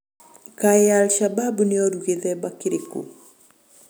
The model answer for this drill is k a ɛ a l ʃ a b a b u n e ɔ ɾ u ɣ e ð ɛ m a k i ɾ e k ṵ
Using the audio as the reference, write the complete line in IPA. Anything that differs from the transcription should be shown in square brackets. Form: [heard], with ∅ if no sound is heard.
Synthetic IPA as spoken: k a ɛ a l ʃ a b a b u n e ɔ ɾ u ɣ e ð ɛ [b] a k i ɾ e k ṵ